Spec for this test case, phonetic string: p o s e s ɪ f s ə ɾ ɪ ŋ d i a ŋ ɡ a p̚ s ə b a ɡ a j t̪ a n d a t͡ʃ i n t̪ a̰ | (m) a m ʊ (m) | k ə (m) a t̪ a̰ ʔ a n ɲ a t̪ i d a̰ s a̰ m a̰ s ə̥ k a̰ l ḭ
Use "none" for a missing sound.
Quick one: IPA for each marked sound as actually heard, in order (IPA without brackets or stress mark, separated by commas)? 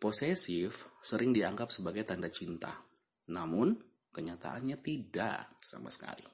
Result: n, n, ɲ